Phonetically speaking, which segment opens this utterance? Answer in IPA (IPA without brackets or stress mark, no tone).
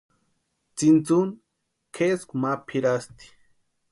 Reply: t͡s